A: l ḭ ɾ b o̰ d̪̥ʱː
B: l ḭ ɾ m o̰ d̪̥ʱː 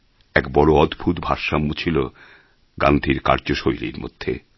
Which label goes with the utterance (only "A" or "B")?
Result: B